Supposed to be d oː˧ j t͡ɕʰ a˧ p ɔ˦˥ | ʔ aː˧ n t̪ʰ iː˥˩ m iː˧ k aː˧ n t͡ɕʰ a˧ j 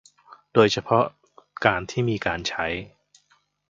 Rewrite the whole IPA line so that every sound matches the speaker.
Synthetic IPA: d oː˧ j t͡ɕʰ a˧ pʰ ɔ˦˥ | k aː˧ n t̪ʰ iː˥˩ m iː˧ k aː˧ n t͡ɕʰ a˦˥ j